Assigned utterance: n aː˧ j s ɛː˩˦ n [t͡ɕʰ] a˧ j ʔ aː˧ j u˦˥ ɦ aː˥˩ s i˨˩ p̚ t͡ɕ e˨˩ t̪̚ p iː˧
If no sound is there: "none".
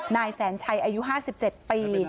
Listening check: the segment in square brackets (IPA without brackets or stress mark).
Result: t͡ɕʰ